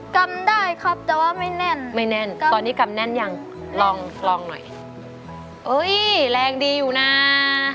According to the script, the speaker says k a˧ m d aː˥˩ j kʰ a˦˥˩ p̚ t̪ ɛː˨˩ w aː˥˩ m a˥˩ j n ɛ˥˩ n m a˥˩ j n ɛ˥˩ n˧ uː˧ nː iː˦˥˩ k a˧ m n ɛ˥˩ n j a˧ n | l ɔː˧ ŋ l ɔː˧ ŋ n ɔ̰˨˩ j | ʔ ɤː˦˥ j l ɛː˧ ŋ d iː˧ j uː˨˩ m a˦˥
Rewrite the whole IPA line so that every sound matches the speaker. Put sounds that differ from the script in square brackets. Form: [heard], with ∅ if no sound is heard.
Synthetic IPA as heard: k a˧ m d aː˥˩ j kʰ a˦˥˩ p̚ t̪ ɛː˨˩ w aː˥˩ m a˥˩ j n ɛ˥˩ n m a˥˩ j n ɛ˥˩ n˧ [ɔː˧] nː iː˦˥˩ k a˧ m n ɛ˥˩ n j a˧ [ŋ] | l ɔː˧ ŋ l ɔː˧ ŋ n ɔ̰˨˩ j | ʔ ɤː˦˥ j l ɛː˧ ŋ d iː˧ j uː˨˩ [n] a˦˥